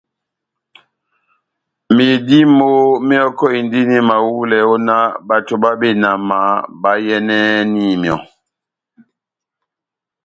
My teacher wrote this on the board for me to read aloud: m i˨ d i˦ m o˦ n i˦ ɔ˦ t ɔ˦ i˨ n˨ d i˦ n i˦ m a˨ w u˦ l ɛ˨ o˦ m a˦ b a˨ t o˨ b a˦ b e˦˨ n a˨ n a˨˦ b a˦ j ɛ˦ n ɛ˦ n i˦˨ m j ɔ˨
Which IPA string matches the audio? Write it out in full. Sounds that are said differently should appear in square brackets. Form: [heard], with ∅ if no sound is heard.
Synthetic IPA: m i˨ d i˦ m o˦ [m] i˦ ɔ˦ [k] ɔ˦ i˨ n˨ d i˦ n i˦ m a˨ w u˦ l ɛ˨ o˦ [n] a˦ b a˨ t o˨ b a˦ b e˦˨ n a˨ [m] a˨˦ b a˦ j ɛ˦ n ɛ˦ n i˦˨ m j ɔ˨